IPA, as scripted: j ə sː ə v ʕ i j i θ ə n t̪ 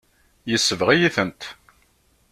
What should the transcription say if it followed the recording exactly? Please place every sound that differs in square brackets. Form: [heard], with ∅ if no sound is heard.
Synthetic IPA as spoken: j ə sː ə v [ʁ] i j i θ ə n t̪